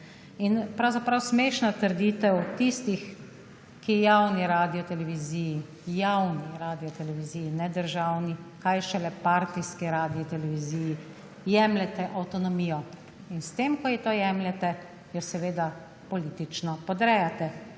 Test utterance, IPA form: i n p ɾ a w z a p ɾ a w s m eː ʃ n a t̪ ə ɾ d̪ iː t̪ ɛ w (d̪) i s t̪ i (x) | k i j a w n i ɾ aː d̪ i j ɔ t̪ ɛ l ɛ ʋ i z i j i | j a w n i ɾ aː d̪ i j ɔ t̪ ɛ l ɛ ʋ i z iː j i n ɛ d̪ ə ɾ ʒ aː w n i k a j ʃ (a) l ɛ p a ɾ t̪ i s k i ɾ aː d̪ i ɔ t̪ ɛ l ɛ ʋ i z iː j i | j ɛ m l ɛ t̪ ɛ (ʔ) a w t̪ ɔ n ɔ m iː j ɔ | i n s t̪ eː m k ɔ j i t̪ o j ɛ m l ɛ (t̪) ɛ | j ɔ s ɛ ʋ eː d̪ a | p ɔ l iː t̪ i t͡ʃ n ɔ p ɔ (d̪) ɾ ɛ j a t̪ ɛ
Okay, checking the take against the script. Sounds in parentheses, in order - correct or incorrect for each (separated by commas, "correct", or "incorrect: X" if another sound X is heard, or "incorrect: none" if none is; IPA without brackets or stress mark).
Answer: incorrect: t̪, correct, incorrect: ɛ, correct, correct, correct